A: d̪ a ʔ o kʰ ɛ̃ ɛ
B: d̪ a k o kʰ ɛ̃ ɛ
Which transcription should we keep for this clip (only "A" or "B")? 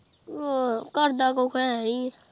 B